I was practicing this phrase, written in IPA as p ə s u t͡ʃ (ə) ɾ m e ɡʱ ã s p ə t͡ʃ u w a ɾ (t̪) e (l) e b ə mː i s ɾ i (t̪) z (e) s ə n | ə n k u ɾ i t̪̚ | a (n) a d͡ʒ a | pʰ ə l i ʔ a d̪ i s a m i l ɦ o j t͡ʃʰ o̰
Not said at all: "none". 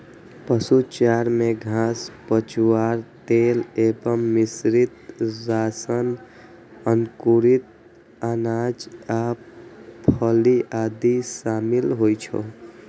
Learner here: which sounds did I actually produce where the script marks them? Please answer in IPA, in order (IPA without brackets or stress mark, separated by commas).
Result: a, t̪, l, t̪, a, n